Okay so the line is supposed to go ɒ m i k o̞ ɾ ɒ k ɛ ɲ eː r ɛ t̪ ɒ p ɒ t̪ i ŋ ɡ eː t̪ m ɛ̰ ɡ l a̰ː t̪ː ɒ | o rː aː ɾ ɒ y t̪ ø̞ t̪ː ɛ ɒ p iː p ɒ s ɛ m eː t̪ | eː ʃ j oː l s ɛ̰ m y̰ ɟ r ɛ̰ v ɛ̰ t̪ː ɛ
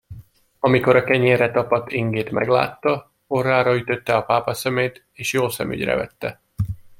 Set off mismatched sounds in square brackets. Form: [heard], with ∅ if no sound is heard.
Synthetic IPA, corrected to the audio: ɒ m i k o̞ ɾ ɒ k ɛ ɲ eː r ɛ t̪ ɒ p ɒ t̪ i ŋ ɡ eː t̪ m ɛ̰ ɡ l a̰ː t̪ː ɒ | o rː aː ɾ ɒ y t̪ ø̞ t̪ː ɛ ɒ p [aː] p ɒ s ɛ m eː t̪ | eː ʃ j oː l s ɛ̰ m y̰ ɟ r ɛ̰ v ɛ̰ t̪ː ɛ